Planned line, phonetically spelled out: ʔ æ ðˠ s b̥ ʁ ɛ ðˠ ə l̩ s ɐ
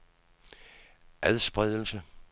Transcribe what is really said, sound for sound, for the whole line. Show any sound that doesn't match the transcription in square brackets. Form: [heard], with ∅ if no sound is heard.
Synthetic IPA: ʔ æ ðˠ s b̥ ʁ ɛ ðˠ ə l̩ s [ə]